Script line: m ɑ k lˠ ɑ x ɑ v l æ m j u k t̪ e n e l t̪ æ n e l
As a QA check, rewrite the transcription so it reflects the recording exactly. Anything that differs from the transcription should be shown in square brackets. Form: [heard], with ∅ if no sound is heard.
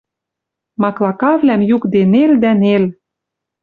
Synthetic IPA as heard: m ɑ k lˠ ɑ [k] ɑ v l æ m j u k [d̪] e n e l [d̪] æ n e l